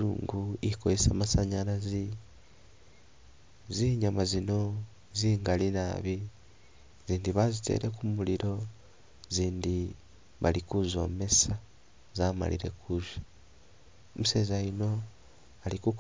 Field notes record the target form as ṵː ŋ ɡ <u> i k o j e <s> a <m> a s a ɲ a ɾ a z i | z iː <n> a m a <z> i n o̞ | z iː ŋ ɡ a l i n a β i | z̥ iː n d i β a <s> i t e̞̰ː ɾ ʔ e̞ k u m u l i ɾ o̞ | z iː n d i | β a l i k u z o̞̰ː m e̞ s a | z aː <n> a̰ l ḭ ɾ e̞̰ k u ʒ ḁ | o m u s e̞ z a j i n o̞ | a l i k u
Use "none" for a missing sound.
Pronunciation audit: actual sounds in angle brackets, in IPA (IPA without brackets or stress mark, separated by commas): u, s, m, ɲ, z, z, m